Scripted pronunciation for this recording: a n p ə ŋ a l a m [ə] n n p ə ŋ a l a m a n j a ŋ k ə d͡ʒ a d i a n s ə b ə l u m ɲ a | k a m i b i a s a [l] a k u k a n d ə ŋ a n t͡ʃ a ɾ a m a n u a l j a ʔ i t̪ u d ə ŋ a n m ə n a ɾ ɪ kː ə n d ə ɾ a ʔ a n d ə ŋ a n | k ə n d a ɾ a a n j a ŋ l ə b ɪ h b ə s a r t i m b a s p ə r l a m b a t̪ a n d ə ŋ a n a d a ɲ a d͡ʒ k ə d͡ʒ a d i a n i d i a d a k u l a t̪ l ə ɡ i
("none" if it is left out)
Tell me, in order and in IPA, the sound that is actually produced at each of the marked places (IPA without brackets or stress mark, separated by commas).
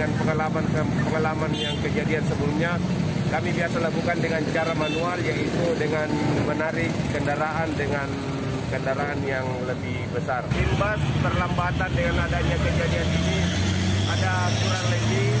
a, l